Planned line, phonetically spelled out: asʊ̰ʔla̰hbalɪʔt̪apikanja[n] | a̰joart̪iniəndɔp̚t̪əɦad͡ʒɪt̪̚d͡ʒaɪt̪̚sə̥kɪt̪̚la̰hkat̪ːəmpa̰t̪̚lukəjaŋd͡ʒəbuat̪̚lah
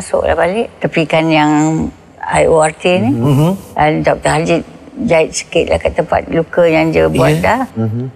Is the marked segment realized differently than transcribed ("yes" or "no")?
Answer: yes